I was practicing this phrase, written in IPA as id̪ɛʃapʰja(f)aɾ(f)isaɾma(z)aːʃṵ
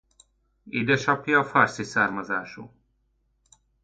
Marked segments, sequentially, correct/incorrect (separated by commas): correct, incorrect, correct